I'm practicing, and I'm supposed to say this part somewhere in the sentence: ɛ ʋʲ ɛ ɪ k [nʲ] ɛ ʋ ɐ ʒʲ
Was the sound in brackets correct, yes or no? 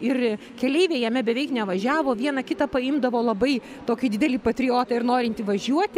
yes